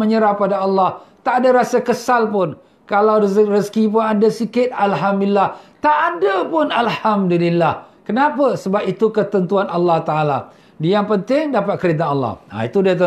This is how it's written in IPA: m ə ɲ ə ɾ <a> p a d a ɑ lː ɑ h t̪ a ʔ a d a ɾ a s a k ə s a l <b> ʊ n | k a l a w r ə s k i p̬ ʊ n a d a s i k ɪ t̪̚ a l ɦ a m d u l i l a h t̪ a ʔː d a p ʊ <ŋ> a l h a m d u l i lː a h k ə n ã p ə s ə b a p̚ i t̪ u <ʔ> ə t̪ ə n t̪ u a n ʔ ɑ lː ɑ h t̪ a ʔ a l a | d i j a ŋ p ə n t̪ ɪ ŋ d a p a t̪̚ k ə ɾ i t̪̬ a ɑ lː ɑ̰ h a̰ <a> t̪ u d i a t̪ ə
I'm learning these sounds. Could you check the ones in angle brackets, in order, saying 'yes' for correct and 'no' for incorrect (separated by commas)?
yes, no, no, no, no